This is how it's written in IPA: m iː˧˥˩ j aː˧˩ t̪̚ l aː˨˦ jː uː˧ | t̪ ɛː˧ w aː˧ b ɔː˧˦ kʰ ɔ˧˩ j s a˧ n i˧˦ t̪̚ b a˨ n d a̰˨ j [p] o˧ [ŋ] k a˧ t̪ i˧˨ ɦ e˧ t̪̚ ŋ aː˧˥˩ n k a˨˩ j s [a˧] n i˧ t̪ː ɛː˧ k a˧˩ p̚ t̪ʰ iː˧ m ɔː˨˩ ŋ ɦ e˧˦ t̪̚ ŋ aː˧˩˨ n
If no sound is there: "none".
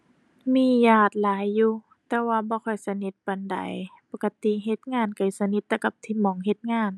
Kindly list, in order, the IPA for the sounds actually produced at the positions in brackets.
p, none, a˧

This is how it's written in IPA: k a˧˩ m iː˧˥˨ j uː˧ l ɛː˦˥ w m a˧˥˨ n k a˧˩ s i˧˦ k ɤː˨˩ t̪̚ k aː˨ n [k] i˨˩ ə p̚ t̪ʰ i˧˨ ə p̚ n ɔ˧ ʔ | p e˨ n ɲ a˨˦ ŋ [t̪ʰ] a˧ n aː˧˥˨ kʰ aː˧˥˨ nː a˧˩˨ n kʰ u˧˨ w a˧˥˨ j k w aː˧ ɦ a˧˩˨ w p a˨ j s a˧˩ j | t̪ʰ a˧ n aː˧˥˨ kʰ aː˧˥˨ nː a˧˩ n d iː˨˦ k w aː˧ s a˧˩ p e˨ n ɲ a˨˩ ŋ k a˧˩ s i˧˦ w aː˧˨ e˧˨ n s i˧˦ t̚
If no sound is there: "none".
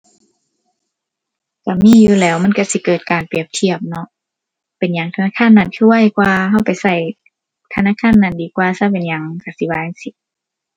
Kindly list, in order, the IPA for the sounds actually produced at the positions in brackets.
p, t̪ʰ

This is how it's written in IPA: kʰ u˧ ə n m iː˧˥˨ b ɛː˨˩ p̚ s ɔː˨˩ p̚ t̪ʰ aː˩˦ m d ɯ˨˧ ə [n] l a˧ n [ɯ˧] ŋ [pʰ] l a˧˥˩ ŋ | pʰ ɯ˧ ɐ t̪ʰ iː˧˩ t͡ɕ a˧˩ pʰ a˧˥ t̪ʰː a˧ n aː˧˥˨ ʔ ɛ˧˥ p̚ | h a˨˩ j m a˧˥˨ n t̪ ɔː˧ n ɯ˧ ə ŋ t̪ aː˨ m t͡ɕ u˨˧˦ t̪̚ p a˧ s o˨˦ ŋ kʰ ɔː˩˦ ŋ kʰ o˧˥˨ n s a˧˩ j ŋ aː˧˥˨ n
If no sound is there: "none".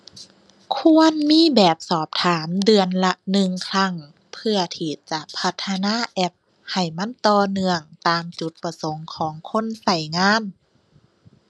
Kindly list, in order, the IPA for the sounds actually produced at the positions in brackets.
n, ɯ˧, kʰ

